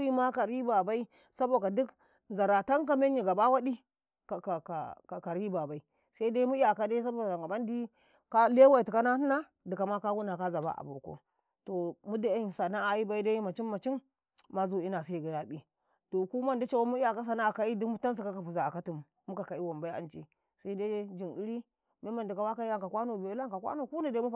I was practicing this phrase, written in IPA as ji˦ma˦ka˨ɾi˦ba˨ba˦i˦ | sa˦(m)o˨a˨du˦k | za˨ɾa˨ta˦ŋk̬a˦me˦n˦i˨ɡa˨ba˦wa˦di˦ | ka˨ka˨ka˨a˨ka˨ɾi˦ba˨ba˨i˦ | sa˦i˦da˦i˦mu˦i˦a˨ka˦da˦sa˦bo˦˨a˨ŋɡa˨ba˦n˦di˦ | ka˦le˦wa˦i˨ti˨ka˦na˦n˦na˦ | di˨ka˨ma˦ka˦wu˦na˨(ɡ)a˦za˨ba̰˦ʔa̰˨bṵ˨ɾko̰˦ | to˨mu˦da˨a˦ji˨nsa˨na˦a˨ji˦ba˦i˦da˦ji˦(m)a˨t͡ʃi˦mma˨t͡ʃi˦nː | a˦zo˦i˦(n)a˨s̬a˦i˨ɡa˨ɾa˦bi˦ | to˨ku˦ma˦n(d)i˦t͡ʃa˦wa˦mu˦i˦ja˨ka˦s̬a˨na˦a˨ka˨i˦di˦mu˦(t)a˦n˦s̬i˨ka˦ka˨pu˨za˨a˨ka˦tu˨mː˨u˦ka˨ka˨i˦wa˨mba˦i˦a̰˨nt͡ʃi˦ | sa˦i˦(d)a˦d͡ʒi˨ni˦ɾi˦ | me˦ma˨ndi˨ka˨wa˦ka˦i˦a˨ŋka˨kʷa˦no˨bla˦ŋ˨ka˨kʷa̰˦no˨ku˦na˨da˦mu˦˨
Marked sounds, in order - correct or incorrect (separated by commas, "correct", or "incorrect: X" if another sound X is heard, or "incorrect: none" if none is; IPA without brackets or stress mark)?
incorrect: b, incorrect: k, correct, correct, correct, correct, correct